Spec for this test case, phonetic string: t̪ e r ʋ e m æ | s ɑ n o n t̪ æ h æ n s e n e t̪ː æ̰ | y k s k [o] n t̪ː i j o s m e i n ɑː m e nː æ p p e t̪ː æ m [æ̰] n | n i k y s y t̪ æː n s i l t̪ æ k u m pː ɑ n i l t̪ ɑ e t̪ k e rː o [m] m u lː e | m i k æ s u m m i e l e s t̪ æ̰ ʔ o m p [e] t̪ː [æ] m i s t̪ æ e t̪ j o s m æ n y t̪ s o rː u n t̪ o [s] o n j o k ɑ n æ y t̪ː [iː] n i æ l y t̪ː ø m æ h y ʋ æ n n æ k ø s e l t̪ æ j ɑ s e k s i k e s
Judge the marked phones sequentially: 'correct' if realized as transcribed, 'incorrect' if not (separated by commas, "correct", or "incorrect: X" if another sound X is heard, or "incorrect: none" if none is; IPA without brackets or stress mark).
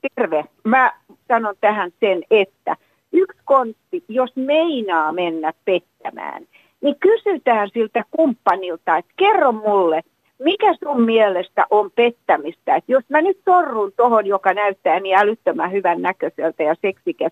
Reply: correct, incorrect: æ̰ː, correct, correct, correct, incorrect: h, incorrect: æː